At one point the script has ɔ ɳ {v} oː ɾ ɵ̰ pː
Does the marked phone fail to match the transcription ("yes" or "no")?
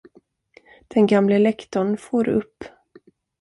yes